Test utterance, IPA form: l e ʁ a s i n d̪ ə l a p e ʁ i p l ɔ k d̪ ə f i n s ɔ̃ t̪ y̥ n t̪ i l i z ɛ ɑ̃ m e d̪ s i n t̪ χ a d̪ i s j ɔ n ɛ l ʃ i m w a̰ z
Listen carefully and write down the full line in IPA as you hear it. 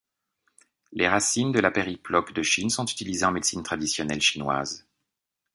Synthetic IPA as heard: l e ʁ a s i n d̪ ə l a p e ʁ i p l ɔ k d̪ ə ʃ i n s ɔ̃ t̪ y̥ t̪ i l i z e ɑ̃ m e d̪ s i n t̪ χ a d̪ i s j ɔ n ɛ l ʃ i n w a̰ z